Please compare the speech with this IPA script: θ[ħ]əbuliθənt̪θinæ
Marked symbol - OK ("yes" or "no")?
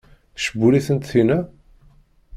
no